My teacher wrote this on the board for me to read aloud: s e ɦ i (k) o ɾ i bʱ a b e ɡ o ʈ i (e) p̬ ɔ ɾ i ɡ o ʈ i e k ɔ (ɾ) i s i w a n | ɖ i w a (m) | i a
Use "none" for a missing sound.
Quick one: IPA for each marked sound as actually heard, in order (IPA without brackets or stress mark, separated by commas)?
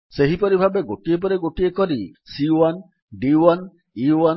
p, e, ɾ, n